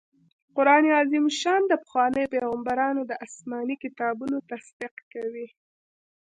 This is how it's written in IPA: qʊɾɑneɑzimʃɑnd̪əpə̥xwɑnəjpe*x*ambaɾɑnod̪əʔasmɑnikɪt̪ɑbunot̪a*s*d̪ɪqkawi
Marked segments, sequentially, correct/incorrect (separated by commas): incorrect, correct